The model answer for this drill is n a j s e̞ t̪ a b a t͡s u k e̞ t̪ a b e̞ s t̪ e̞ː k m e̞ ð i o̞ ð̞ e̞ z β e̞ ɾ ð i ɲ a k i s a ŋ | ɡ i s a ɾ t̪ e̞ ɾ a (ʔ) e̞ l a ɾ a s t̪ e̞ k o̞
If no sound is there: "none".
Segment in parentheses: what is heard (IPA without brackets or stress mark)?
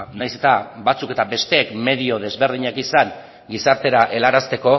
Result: ʔ